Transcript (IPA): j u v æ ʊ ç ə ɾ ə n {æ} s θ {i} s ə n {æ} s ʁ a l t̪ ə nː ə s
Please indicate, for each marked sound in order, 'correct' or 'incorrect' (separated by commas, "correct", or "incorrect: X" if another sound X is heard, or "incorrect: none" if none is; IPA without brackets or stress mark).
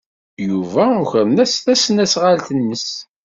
correct, incorrect: æ, correct